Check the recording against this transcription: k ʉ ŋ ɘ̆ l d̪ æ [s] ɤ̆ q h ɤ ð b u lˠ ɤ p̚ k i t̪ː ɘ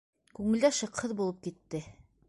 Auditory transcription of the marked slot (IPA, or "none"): ʃ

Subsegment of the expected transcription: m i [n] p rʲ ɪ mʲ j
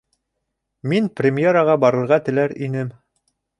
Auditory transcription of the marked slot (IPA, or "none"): n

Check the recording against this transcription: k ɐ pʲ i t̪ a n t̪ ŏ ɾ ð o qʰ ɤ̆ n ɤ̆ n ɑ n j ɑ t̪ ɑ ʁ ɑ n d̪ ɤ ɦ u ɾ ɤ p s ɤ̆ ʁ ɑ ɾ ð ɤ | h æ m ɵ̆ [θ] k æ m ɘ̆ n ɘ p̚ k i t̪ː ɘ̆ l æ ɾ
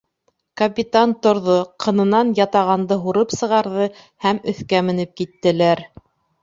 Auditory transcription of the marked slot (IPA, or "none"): θ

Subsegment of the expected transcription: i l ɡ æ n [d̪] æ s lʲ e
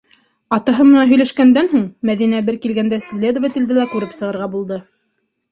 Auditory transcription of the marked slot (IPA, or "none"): d̪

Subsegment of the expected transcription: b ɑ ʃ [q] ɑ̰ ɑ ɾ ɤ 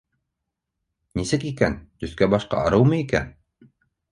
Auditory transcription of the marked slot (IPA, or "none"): q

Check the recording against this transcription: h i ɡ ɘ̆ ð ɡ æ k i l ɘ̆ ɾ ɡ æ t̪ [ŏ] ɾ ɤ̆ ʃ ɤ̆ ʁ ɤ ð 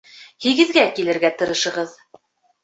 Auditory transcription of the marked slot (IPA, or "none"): ɤ̆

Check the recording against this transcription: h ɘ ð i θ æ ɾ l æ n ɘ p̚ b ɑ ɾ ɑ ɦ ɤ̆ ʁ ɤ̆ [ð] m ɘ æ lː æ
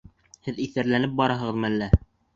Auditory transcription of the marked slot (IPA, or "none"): ð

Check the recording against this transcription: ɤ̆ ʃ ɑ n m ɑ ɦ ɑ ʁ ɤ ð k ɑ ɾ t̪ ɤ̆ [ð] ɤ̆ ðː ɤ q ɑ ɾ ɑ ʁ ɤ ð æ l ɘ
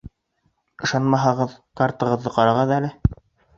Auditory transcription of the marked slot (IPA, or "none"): ʁ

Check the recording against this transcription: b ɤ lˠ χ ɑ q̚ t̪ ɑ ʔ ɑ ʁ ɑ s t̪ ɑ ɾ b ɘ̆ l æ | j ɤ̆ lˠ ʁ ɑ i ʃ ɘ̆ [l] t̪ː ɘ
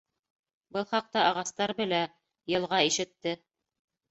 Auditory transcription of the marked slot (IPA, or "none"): none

